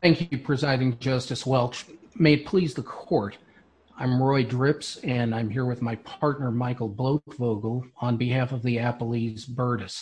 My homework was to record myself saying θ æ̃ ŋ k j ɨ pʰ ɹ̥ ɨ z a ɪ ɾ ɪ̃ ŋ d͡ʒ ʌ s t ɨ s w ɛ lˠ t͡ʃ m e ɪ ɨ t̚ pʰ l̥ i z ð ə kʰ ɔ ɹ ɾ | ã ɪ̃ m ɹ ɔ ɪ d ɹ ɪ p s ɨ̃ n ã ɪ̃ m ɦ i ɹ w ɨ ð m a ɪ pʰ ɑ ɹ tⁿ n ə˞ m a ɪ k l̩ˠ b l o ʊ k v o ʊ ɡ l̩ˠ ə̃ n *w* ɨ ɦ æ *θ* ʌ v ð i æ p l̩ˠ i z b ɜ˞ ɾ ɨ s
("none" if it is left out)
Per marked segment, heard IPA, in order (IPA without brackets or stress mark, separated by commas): b, f